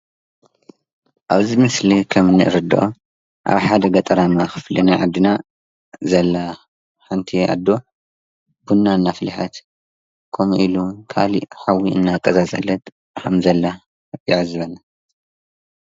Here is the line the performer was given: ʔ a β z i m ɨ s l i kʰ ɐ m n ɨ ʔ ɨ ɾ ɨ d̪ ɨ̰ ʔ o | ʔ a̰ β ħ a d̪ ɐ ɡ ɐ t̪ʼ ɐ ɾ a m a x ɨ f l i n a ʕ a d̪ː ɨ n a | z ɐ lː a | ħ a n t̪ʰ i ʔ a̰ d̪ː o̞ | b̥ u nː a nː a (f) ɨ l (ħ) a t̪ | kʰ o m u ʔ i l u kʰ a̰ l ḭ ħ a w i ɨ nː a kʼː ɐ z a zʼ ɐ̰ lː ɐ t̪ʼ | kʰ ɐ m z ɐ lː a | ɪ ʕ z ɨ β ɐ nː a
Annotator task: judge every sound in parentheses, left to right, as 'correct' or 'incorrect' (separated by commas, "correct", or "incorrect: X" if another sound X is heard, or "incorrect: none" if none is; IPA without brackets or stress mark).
correct, correct